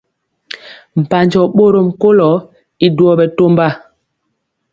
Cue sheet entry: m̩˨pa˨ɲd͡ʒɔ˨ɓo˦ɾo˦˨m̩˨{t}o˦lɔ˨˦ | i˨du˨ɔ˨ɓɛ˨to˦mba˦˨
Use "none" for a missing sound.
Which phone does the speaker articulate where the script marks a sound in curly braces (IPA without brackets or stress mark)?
k